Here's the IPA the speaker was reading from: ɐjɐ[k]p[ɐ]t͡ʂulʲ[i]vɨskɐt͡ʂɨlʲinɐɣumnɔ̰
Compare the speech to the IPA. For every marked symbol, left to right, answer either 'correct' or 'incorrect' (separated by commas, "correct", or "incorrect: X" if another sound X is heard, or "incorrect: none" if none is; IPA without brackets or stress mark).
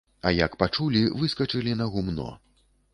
correct, incorrect: a, correct